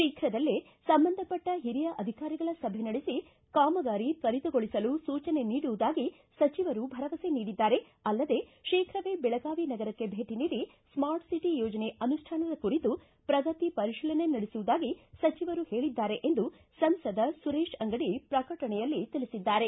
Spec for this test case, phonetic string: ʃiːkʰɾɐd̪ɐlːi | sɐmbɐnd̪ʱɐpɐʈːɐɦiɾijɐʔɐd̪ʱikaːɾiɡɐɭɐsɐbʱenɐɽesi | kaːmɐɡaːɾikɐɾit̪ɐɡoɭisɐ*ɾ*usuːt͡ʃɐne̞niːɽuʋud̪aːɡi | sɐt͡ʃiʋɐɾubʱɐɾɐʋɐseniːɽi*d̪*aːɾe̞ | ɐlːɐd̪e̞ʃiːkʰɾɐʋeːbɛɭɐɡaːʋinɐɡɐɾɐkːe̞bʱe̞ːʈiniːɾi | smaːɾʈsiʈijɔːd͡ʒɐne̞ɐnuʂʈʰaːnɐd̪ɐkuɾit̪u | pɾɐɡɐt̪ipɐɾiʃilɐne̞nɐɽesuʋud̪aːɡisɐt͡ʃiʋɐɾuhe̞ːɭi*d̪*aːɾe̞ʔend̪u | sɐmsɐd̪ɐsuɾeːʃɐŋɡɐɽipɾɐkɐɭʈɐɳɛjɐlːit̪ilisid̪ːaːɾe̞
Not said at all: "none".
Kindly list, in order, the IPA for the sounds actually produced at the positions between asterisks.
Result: l, d̪ː, d̪ː

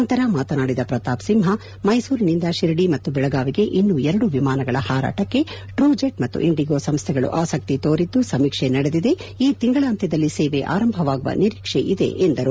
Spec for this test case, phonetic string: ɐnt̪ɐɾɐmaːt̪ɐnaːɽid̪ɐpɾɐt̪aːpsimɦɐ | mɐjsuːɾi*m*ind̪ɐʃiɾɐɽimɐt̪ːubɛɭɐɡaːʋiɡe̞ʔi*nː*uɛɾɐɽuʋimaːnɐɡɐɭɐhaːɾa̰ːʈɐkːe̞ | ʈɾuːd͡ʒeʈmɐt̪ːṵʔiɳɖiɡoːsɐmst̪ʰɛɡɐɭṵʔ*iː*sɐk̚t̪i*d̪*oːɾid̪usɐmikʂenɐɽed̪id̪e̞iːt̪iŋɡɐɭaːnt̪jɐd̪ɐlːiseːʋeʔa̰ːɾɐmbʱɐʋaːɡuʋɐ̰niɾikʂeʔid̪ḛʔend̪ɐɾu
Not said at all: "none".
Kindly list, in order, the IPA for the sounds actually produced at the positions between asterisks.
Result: n, nː, aː, t̪

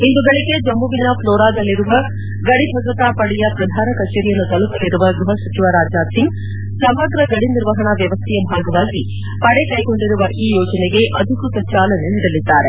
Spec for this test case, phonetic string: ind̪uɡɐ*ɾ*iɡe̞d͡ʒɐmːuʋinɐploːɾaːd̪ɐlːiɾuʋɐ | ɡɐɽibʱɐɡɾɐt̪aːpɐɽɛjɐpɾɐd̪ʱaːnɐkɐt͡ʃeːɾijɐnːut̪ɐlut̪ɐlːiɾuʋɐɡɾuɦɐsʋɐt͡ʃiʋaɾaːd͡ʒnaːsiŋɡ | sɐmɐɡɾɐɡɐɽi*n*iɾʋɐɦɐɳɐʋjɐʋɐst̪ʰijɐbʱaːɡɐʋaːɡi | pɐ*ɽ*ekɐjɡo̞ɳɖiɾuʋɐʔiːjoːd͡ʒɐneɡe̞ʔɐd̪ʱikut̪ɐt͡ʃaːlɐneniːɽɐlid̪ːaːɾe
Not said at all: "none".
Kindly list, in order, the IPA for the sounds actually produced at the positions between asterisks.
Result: ɭ, n, ɽ

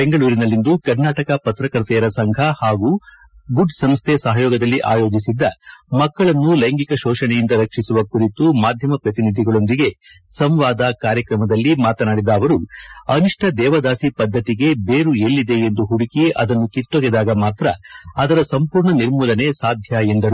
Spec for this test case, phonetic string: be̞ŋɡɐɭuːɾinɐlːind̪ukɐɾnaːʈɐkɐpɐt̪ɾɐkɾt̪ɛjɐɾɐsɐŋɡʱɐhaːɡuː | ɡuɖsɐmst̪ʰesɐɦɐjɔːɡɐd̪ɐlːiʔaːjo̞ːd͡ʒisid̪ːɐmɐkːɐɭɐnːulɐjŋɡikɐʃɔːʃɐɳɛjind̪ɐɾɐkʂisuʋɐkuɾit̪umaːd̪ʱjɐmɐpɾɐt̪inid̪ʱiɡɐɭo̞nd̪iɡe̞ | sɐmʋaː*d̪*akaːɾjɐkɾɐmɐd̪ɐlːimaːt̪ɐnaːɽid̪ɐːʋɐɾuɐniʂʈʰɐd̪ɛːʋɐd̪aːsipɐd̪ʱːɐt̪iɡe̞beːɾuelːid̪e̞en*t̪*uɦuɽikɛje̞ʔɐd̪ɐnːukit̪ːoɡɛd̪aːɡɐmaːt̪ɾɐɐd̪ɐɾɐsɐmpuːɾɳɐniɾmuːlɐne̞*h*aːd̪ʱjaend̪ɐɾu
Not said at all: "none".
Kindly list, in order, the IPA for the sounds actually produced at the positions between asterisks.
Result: d̪, d̪, s

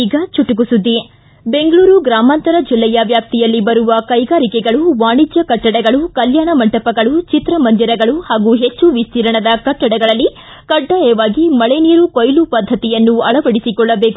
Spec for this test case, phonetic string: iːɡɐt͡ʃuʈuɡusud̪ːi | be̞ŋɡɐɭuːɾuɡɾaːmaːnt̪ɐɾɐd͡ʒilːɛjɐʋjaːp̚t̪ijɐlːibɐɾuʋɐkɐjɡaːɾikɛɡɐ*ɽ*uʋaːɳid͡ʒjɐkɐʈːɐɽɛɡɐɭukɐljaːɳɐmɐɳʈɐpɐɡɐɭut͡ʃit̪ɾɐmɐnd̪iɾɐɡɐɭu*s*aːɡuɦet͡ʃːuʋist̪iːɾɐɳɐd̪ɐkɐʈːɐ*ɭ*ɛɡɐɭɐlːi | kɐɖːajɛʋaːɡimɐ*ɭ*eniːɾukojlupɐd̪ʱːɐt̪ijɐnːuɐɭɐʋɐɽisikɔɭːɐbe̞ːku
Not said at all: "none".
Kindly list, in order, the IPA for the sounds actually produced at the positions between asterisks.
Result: ɭ, h, ɽ, ɭ

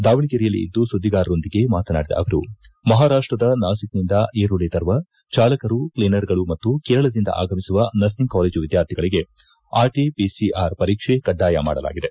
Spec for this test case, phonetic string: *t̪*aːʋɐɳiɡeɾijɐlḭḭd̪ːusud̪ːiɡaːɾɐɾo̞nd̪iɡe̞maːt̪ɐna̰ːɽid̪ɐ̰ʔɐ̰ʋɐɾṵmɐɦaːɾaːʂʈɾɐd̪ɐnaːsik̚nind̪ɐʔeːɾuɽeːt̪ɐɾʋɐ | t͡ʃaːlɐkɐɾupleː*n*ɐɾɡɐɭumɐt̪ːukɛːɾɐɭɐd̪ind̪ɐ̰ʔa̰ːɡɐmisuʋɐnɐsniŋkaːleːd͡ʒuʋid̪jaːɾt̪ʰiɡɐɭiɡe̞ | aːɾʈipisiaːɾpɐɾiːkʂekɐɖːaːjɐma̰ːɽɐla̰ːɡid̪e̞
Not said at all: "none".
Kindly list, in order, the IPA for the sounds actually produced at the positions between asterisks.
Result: d̪, n

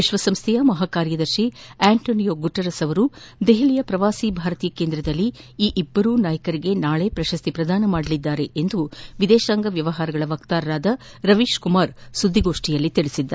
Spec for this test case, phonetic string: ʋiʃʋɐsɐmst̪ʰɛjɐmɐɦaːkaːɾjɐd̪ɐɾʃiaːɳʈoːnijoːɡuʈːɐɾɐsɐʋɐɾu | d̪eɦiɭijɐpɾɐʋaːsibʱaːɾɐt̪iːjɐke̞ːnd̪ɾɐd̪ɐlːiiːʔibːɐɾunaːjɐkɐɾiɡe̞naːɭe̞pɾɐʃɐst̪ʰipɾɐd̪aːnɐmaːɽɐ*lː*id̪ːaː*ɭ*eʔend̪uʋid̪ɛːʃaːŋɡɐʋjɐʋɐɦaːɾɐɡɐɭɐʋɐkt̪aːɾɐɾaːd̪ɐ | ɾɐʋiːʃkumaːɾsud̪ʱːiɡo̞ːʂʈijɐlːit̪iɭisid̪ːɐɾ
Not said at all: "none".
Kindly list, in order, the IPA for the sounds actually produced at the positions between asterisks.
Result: l, ɾ

